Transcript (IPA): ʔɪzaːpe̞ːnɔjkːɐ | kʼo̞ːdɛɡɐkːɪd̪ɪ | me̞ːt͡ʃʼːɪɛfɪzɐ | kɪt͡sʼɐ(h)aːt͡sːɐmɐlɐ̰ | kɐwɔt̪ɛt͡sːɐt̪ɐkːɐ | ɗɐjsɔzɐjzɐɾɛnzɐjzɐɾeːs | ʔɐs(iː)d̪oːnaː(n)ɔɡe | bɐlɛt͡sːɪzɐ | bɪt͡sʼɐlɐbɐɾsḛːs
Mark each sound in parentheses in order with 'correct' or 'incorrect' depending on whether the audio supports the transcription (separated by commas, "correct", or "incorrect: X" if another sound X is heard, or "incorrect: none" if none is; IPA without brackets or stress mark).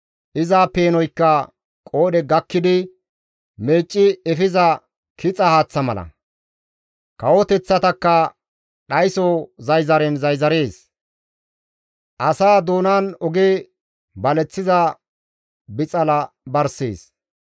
correct, incorrect: aː, correct